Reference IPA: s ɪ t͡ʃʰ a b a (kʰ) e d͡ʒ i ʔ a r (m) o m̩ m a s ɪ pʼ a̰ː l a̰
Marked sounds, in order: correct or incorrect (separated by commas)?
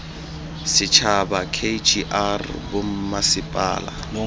correct, incorrect